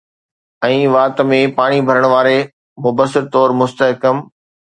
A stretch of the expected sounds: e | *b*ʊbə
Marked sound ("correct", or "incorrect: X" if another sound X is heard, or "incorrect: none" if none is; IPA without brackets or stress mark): incorrect: m